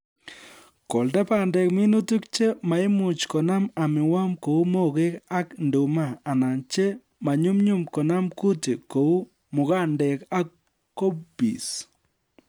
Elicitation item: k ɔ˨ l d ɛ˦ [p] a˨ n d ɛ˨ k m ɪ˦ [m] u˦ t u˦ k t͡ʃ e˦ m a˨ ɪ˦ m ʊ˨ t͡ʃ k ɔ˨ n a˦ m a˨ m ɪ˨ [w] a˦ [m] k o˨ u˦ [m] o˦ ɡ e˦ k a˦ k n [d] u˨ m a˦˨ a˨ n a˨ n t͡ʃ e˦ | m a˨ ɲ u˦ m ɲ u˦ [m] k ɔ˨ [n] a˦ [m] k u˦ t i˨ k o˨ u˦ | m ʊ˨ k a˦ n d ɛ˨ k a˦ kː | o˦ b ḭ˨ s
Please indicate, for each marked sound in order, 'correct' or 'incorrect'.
correct, incorrect: n, correct, correct, correct, correct, correct, correct, correct

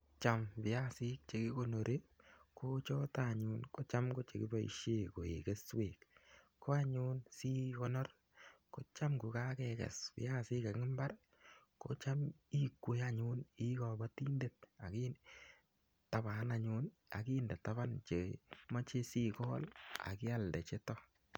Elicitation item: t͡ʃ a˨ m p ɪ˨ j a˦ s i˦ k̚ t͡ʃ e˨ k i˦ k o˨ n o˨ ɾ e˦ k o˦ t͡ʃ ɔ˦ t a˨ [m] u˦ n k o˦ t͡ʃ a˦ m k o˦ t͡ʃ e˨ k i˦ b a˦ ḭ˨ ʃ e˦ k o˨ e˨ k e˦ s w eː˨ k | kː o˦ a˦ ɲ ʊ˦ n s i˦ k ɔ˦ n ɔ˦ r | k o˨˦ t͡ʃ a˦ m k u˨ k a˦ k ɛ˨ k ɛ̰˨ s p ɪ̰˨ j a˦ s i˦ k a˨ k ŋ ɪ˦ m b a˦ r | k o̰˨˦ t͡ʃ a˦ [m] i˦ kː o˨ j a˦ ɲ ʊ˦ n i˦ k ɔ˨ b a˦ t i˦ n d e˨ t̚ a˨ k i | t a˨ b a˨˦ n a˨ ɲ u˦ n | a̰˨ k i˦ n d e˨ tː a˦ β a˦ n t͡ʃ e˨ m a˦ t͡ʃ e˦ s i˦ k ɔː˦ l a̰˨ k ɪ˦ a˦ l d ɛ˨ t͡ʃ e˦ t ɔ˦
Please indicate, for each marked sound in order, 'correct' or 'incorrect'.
incorrect: ɲ, correct

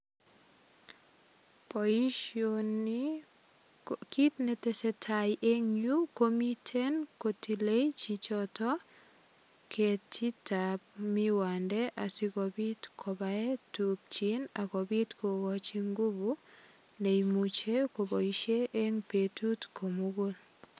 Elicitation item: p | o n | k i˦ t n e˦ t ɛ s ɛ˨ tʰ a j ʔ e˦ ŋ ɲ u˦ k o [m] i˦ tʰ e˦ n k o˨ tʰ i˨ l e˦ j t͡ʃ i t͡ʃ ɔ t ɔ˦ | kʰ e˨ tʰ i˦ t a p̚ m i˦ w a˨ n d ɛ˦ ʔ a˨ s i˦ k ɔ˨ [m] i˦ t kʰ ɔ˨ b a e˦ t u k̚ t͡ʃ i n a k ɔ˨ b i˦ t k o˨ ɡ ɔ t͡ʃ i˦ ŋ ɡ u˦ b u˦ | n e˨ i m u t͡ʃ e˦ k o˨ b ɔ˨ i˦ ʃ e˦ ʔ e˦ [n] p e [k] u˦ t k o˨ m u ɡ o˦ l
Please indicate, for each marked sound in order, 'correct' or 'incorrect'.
correct, incorrect: b, incorrect: ŋ, incorrect: t

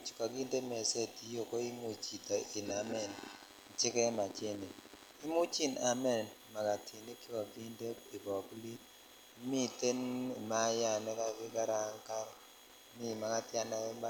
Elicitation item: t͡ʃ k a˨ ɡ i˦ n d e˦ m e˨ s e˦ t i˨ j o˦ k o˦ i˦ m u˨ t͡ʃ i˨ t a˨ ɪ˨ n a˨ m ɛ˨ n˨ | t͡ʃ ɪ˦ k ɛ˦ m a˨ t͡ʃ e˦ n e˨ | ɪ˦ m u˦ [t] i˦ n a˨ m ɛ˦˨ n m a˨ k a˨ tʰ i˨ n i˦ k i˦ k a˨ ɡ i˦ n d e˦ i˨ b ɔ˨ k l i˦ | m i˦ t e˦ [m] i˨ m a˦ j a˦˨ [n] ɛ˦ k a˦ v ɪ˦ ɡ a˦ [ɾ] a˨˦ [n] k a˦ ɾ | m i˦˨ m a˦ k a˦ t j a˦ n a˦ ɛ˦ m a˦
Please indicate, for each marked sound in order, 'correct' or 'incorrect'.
incorrect: t͡ʃ, incorrect: n, correct, correct, incorrect: ŋ

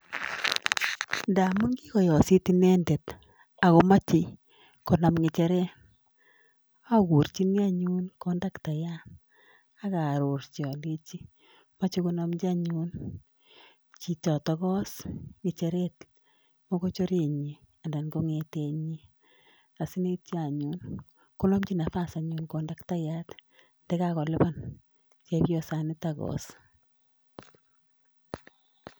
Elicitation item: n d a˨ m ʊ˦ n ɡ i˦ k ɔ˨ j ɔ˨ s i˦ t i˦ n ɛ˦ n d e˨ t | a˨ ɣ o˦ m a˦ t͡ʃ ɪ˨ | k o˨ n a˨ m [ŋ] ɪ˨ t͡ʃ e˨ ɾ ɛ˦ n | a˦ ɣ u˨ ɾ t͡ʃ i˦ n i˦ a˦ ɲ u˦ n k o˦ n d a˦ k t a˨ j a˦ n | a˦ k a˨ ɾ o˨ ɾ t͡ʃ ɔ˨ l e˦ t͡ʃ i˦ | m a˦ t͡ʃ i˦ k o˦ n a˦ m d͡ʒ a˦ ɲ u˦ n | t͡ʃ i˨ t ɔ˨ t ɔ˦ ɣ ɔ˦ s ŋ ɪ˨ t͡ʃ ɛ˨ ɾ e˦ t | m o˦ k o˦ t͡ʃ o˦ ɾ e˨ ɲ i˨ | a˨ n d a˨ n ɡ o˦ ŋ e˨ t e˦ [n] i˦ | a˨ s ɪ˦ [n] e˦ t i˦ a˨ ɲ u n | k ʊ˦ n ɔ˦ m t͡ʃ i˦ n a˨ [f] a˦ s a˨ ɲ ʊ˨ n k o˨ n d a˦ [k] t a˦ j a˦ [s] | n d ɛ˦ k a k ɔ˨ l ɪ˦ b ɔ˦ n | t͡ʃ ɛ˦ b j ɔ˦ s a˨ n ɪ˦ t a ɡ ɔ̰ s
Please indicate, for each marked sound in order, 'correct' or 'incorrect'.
correct, incorrect: ɲ, correct, correct, correct, incorrect: t

